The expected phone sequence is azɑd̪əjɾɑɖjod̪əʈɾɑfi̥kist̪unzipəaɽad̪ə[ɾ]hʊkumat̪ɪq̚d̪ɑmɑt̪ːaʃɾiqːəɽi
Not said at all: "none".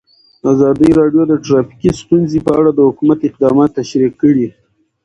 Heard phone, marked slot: none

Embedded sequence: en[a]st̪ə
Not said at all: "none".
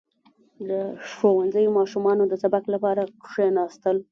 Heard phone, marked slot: ɑ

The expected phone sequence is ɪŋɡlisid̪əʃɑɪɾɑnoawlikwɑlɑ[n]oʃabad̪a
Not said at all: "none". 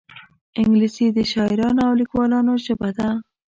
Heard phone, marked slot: n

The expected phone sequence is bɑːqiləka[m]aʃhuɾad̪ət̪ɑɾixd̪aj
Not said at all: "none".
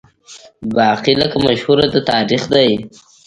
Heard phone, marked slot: m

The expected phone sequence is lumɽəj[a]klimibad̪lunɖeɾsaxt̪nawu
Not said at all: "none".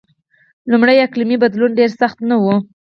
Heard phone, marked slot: a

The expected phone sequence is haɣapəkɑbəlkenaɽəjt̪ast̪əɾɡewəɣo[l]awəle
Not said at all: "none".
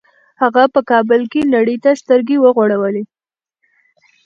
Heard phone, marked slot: ɽ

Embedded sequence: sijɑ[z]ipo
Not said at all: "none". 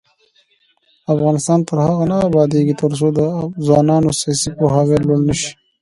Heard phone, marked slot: s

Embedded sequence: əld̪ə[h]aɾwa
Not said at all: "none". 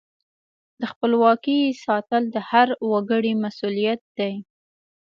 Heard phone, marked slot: h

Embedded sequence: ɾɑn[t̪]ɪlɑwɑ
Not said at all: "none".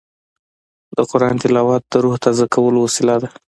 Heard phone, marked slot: t̪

